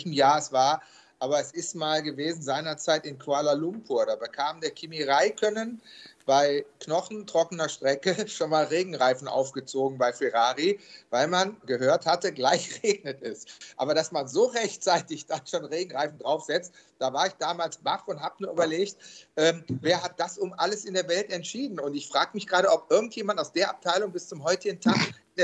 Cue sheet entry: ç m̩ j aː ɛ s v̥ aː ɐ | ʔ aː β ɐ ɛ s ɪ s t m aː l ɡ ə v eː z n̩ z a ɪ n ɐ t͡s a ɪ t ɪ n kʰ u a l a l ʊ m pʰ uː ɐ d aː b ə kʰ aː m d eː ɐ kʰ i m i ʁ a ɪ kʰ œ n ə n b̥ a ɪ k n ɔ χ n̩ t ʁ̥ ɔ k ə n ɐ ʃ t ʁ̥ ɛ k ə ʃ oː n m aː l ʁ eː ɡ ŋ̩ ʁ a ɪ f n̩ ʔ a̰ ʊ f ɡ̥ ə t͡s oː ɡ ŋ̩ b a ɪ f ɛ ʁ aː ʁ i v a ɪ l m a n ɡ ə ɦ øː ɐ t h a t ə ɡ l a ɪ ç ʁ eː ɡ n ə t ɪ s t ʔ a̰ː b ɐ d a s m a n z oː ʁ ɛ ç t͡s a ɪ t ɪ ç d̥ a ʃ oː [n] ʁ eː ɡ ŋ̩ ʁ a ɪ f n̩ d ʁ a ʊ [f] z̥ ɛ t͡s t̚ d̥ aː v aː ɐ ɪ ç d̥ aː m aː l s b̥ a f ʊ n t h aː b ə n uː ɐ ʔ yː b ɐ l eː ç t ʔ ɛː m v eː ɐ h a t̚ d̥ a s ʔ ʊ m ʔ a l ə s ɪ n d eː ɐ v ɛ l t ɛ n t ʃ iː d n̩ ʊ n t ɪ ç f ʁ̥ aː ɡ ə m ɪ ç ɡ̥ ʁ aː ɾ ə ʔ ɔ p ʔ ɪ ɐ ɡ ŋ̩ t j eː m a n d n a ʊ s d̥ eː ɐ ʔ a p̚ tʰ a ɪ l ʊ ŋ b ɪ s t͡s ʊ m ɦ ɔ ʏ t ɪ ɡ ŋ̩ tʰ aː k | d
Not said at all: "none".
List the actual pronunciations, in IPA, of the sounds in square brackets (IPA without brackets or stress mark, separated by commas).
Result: n, f